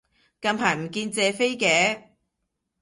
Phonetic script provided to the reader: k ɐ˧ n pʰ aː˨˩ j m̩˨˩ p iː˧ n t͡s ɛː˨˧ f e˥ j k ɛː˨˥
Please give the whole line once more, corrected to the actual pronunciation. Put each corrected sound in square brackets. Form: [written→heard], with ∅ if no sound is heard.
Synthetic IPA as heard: k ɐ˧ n pʰ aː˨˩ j m̩˨˩ [p→k] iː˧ n t͡s ɛː˨˧ f e˥ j k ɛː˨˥